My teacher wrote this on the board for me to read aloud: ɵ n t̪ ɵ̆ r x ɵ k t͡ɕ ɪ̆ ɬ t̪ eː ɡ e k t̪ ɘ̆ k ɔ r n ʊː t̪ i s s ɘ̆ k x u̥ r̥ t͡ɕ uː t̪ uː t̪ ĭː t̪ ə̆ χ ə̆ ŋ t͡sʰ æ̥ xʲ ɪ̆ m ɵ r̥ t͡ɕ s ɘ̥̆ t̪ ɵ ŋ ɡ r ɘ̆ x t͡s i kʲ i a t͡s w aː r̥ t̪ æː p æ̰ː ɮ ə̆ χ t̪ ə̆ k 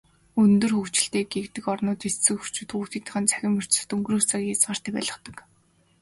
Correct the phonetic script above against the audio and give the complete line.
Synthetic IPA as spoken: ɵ n t̪ ɵ̆ r x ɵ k t͡ɕ ɪ̆ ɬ t̪ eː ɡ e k t̪ ɘ̆ k ɔ r n ʊː t̪ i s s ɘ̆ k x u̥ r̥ t͡ɕ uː t̪ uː t̪ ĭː t̪ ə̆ χ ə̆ n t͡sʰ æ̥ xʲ ɪ̆ m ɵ r̥ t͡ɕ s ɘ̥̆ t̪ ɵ ŋ ɡ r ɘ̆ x t͡s a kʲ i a t͡s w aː r̥ t̪ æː p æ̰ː ɮ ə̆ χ t̪ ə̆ k

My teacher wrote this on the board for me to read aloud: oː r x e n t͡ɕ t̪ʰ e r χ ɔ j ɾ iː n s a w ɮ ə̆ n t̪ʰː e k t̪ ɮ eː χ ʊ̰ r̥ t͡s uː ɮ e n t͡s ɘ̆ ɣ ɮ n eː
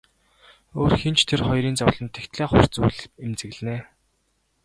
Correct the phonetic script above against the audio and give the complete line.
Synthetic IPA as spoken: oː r x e n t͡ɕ t̪ʰ e r χ ɔ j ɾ iː n t͡s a w ɮ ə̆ n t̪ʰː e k t̪ ɮ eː χ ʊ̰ r̥ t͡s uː ɮ e m t͡s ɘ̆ ɣ ɮ n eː

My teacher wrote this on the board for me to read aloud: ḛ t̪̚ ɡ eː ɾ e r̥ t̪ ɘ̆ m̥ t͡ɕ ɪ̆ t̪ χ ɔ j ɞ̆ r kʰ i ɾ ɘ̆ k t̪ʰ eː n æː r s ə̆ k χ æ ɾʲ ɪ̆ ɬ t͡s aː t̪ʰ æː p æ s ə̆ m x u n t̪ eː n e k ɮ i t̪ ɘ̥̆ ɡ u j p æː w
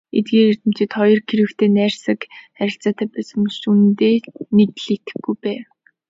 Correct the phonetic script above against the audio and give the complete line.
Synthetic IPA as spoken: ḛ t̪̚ ɡ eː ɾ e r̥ t̪ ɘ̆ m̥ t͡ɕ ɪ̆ t̪ χ ɔ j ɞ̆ r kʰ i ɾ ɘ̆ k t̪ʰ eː n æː r s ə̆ k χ æ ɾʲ ɪ̆ ɬ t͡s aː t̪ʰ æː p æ s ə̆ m ʃ u n t̪ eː n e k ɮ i t̪ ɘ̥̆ ɡ u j p æː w

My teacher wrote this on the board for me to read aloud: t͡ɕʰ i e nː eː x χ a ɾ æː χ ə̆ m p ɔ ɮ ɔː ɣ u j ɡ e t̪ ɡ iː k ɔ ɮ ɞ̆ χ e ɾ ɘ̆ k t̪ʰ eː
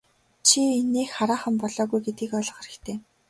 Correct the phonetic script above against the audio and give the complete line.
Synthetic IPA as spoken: t͡ɕʰ i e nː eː x χ a ɾ aː χ ə̆ m p ɔ ɮ ɔː ɣ u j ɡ e t̪ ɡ iː k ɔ ɮ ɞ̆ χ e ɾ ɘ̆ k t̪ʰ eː

